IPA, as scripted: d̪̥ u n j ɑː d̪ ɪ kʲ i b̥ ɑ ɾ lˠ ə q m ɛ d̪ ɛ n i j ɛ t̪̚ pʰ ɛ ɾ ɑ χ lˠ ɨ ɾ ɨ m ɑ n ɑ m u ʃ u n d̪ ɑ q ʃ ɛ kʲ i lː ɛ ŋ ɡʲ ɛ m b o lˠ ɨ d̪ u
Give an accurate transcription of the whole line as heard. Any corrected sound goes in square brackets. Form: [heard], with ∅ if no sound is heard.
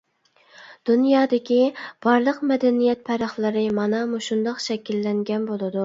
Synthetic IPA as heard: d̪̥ u n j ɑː d̪ ɪ kʲ i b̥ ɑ ɾ lˠ ə q m ɛ d̪ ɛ n i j ɛ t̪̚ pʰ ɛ ɾ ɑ χ lˠ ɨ ɾ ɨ m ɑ n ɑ m u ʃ u n d̪ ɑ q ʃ ɛ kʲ i lː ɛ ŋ ɡʲ ɛ [n] b o lˠ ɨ d̪ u